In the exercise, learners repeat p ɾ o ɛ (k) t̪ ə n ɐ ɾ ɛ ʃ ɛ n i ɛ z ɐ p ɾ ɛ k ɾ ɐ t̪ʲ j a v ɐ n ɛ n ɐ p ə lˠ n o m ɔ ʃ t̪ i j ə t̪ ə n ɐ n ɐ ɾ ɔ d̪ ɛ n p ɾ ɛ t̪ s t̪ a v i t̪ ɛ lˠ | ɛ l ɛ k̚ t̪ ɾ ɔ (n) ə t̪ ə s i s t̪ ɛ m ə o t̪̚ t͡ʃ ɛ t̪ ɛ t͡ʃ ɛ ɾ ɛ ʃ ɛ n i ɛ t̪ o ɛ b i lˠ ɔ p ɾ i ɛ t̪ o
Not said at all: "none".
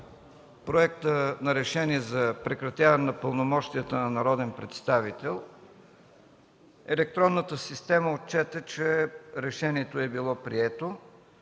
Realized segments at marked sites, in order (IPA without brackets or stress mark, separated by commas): k, nː